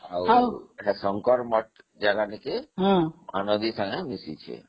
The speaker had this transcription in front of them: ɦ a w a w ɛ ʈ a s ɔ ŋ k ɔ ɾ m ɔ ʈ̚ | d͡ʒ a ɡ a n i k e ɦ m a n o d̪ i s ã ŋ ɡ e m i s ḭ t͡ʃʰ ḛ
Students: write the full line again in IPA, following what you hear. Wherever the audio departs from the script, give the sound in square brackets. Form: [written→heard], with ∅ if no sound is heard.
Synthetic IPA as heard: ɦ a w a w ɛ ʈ a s ɔ ŋ k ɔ ɾ m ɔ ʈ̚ | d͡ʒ a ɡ a n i k e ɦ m a n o d̪ i s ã ŋ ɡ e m i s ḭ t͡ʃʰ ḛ